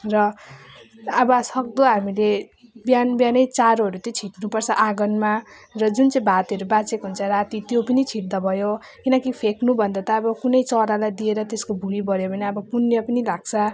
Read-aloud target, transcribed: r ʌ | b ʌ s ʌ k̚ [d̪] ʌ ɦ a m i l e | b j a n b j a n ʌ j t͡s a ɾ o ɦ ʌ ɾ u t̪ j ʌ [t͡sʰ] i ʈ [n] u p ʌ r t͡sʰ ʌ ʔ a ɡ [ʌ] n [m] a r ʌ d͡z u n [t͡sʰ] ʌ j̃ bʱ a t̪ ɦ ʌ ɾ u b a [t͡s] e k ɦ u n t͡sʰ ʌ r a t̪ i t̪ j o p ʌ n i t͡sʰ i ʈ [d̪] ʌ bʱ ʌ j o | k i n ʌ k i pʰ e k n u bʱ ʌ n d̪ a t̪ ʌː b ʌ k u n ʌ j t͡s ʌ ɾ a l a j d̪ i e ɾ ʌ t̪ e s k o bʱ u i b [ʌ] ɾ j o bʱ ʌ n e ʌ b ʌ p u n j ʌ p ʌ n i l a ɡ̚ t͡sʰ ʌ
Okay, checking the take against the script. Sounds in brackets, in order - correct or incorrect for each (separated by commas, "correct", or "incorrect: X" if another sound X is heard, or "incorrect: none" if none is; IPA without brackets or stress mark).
correct, correct, correct, correct, correct, incorrect: t͡s, correct, correct, correct